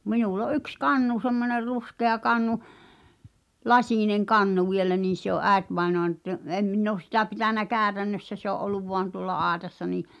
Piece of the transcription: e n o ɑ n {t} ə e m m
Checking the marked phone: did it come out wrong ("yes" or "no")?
no